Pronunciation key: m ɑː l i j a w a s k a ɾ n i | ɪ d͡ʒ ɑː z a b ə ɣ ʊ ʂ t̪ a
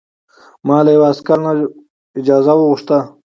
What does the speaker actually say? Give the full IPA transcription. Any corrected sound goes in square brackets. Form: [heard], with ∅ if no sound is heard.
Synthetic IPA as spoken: m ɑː l [a] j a w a s k a ɾ n [a] | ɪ d͡ʒ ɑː z a [w] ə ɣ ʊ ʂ t̪ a